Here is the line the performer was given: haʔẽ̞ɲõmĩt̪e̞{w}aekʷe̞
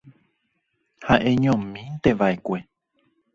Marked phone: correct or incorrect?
incorrect